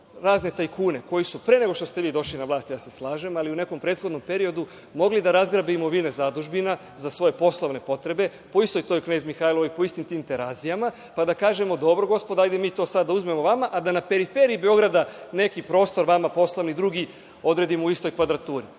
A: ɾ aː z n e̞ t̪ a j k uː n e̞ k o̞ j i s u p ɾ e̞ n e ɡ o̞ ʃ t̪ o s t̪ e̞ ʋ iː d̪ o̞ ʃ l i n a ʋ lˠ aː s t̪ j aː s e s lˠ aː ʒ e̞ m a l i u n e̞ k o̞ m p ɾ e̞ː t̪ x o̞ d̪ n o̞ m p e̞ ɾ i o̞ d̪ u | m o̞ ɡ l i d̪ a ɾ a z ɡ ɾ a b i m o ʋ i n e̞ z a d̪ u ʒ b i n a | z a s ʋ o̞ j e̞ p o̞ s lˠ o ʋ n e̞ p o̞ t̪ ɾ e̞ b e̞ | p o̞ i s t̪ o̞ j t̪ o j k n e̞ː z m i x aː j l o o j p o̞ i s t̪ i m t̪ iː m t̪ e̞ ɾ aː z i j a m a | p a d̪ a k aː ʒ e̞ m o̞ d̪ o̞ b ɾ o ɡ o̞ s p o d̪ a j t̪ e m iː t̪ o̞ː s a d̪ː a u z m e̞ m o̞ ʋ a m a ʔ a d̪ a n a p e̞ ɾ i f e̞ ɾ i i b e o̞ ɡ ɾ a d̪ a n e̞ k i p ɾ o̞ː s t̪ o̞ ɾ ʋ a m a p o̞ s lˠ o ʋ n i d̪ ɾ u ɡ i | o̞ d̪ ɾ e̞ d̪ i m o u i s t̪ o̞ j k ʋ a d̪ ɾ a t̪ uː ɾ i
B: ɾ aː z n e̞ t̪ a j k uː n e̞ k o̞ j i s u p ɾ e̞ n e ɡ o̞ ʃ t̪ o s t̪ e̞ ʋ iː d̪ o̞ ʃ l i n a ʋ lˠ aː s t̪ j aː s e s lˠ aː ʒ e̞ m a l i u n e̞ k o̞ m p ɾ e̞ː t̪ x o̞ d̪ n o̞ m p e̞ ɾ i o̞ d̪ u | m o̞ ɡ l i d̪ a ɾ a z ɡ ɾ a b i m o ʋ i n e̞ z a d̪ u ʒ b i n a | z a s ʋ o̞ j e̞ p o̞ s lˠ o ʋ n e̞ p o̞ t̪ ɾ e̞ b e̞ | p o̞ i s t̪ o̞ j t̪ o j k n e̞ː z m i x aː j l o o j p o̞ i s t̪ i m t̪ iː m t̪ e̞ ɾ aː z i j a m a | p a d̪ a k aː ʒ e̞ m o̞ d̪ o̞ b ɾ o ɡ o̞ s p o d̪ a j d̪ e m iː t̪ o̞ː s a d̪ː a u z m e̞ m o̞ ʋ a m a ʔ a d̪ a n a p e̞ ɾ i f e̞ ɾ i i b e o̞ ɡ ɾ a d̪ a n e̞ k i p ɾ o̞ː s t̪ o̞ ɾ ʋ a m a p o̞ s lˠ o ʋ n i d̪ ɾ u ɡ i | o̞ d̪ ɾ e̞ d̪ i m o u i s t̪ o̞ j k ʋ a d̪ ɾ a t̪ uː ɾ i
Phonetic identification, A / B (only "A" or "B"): B